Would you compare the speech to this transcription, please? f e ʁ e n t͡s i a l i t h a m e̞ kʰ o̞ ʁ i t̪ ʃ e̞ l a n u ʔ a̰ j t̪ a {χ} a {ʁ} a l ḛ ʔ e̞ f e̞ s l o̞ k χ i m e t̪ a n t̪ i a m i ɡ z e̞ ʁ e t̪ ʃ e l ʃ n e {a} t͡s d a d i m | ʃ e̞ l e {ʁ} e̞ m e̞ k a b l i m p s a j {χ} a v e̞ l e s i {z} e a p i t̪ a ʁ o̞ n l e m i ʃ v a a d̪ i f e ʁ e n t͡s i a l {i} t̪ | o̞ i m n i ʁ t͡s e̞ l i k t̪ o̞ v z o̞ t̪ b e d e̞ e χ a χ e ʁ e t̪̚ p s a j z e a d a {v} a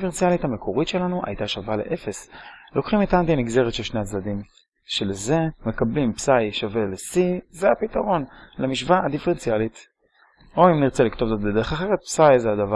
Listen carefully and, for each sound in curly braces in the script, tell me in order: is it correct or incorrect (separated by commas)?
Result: incorrect, incorrect, correct, incorrect, incorrect, correct, correct, correct